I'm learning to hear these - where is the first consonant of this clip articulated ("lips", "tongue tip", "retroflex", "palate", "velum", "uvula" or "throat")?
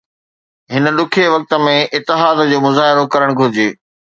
throat